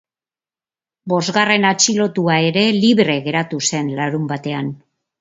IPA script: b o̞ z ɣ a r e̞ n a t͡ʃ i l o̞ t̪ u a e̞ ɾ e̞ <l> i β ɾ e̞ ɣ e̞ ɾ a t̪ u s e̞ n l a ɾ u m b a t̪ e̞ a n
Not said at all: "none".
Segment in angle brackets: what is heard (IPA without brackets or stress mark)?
l